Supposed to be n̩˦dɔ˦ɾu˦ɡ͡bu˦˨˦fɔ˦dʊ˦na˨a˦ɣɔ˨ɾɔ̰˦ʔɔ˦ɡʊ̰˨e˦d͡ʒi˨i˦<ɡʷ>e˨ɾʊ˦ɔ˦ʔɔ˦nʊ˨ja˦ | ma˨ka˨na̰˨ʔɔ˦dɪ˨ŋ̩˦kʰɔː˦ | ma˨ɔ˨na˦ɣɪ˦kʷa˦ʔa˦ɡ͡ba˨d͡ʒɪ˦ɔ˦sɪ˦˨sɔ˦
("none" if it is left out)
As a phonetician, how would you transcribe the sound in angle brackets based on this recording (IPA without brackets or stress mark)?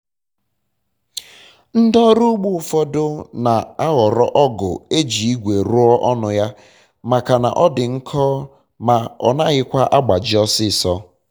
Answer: ɡʷ